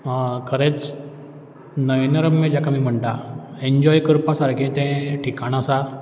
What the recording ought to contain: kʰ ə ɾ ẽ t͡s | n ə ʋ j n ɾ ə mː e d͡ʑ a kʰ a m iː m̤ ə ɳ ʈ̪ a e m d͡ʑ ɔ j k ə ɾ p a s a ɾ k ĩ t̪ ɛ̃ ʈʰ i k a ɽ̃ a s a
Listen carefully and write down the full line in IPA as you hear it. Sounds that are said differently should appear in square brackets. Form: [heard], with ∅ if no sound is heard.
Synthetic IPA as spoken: kʰ ə ɾ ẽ t͡s | n ə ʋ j n ɾ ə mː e d͡ʑ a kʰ a m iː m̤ ə ɳ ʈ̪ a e [ɲ] d͡ʑ ɔ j k ə ɾ p a s a ɾ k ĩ t̪ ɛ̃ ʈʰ i k a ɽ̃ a s a